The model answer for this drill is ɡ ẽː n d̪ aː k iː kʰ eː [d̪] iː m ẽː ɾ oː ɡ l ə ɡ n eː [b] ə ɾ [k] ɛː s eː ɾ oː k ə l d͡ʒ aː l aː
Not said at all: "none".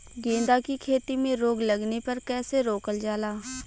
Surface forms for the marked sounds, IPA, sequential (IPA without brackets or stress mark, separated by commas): t̪, p, k